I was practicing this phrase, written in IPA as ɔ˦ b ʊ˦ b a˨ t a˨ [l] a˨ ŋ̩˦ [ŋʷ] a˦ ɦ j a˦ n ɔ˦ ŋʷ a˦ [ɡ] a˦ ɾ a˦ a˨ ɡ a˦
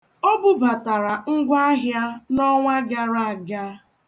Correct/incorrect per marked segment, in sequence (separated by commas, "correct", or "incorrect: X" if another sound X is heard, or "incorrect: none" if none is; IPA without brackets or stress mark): incorrect: ɾ, incorrect: ɡʷ, correct